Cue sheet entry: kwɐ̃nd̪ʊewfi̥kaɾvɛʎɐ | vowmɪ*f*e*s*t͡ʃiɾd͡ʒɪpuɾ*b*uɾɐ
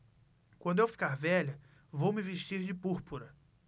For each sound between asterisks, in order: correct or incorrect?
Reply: incorrect: v, incorrect: ʃ, incorrect: p

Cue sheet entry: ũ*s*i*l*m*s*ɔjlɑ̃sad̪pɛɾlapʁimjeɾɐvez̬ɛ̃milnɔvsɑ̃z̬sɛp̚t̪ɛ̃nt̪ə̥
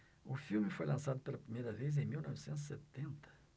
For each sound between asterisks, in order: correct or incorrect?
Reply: incorrect: f, correct, incorrect: f

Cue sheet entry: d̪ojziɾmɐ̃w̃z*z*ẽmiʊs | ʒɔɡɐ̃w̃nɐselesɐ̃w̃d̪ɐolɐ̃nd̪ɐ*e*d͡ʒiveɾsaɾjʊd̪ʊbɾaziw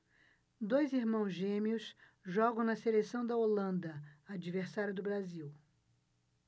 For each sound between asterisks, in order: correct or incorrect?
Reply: incorrect: ʒ, incorrect: a

